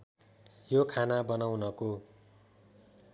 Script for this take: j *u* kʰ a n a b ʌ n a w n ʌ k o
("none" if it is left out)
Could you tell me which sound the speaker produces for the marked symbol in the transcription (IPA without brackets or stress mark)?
o